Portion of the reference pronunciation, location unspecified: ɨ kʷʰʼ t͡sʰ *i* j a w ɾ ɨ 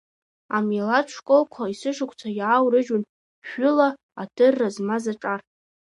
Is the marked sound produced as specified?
no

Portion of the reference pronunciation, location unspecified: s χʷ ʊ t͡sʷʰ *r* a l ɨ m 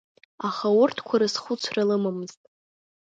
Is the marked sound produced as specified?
yes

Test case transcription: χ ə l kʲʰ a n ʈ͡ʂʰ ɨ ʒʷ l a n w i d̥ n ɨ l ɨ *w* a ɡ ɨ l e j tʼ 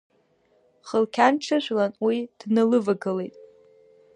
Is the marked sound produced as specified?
no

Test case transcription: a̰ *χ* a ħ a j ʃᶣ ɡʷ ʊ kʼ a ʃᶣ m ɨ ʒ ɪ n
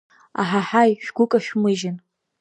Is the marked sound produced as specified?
no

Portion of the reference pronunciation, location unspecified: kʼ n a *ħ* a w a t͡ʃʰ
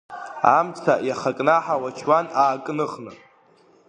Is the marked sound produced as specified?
yes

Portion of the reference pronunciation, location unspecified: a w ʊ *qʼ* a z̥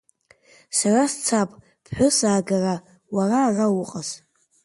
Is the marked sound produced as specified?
yes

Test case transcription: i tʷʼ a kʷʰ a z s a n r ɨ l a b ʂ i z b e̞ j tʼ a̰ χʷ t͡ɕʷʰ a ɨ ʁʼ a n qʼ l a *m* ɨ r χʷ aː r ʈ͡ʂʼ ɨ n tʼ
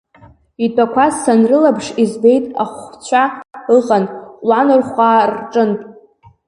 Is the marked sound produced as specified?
no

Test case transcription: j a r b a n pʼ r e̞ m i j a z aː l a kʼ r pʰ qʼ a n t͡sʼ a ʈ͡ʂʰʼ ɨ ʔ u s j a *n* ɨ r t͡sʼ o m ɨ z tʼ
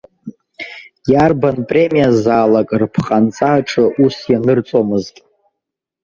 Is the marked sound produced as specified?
yes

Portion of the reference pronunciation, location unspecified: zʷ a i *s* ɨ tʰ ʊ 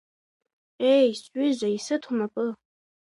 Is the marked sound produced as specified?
yes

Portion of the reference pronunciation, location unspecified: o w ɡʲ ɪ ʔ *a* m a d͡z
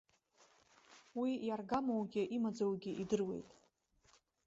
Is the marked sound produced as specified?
no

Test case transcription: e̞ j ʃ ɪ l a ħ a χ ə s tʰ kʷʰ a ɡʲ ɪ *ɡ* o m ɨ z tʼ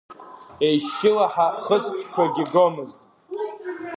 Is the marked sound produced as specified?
yes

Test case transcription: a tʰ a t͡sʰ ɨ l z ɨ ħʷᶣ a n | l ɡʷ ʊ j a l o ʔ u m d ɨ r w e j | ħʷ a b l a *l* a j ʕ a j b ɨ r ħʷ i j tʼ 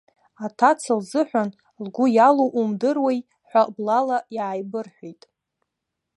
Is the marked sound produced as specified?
yes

